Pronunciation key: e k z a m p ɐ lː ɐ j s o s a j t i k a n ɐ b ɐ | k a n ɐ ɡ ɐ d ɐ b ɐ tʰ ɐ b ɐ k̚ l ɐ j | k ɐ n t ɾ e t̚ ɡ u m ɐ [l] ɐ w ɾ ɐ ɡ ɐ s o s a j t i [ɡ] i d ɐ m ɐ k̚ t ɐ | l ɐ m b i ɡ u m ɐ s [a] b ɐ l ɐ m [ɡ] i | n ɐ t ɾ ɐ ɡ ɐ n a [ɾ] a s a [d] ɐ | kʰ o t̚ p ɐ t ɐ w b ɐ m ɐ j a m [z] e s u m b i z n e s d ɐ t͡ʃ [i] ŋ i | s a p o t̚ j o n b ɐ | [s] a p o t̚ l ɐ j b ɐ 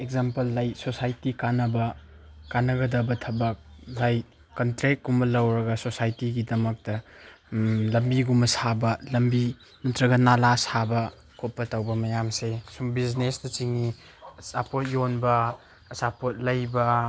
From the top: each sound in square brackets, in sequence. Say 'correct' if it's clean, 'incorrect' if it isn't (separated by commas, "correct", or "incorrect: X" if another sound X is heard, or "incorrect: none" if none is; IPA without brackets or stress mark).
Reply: correct, correct, correct, incorrect: b, incorrect: l, incorrect: b, incorrect: s, correct, correct